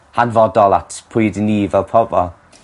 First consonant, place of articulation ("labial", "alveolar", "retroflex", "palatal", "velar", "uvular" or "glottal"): glottal